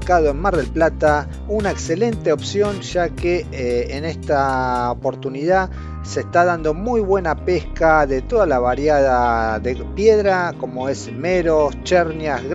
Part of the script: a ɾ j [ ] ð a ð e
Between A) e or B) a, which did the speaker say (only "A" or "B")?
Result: B